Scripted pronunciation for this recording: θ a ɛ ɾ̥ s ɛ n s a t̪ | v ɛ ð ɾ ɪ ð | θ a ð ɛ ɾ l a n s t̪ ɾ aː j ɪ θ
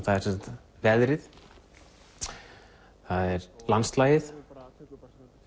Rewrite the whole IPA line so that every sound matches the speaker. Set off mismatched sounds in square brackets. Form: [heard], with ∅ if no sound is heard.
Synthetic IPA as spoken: θ a ɛ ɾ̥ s ɛ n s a t̪ | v ɛ ð ɾ ɪ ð | θ a ð ɛ ɾ l a n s t̪ [l] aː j ɪ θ